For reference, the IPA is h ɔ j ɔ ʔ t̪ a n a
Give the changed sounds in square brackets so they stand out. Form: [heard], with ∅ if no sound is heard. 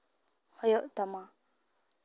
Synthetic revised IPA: h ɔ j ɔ ʔ t̪ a [m] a